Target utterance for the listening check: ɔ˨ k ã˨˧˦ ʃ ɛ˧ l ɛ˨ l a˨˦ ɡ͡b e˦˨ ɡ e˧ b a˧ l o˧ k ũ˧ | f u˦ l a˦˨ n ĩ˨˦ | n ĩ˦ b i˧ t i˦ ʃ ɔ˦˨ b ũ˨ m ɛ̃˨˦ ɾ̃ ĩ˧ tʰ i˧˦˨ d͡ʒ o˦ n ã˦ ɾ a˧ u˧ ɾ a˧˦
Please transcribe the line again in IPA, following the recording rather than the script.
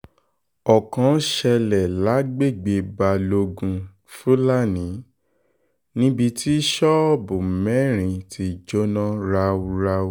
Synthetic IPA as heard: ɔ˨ k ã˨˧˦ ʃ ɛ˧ l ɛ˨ l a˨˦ ɡ͡b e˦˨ ɡ͡b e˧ b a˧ l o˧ ɡ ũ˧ | f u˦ l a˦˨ n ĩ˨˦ | n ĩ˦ b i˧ t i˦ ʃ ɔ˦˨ b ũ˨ m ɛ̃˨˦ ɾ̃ ĩ˧ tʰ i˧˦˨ d͡ʒ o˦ n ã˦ ɾ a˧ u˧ ɾ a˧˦